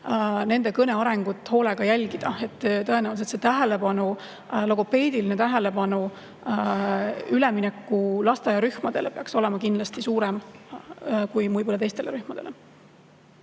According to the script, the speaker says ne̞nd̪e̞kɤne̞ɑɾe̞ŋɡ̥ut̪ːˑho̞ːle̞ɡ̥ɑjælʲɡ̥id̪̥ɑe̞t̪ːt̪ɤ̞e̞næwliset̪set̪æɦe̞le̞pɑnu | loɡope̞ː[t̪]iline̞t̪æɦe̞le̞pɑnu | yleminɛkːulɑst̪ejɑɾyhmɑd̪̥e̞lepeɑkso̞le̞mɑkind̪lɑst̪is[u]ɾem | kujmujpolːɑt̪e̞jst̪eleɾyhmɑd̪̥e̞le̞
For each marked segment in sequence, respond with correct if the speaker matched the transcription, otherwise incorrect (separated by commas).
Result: incorrect, incorrect